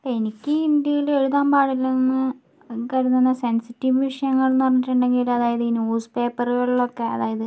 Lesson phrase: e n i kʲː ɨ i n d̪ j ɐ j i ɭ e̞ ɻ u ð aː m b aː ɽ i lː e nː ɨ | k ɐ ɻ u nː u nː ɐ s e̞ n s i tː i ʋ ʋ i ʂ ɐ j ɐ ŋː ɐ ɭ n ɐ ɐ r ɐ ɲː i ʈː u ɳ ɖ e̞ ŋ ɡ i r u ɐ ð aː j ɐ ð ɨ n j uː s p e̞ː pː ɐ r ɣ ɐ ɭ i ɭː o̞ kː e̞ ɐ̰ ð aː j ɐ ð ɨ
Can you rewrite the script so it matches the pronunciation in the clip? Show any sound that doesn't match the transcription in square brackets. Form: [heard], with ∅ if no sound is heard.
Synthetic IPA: e n i kʲː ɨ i n d̪ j ɐ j i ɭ e̞ ɻ u ð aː m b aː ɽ i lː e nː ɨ | k ɐ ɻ u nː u nː ɐ s e̞ n s i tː i ʋ ʋ i ʂ ɐ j ɐ ŋː ɐ ɭ n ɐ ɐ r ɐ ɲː i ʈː u ɳ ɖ e̞ ŋ ɡ i [l] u ɐ ð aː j ɐ ð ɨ n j uː s p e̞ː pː ɐ r ɣ ɐ ɭ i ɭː o̞ kː e̞ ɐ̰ ð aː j ɐ ð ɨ